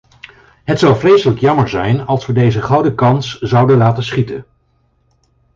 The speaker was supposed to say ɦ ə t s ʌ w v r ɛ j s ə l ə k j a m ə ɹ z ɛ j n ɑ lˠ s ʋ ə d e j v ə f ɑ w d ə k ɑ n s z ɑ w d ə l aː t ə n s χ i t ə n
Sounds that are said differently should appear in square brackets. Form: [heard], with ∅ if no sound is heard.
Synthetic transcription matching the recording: ɦ ə t s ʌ w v r [e] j s ə l ə k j [ɑ] m ə ɹ z ɛ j n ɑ lˠ s ʋ ə d e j [z] ə [χ] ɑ w d ə k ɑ n s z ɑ w d ə l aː t ə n s χ i t ə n